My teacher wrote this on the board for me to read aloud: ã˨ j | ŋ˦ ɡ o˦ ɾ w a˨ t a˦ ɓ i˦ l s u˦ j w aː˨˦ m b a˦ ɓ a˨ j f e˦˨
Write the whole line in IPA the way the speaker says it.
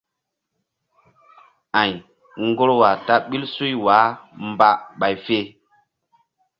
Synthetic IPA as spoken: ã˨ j | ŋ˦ ɡ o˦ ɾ w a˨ t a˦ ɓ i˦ l s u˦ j w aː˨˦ m b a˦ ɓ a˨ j f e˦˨